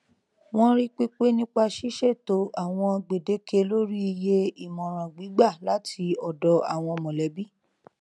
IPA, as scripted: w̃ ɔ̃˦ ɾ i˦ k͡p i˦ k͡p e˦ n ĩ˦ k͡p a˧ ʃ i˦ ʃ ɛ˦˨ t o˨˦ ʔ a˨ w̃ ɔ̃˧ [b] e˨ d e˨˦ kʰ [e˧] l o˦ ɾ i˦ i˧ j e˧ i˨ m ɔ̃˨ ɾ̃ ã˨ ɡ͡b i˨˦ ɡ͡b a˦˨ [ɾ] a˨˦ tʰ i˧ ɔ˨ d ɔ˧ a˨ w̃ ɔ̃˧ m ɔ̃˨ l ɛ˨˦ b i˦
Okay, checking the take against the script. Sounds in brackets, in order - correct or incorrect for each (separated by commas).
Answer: incorrect, correct, incorrect